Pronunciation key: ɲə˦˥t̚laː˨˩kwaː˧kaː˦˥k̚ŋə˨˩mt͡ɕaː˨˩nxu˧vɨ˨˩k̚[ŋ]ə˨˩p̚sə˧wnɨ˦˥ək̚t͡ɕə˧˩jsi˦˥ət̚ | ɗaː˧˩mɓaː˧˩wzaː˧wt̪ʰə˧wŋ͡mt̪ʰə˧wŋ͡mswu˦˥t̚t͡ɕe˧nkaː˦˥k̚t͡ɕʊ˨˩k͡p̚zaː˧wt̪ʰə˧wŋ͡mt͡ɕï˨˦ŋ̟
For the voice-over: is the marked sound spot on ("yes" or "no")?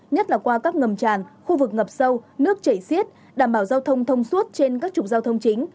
yes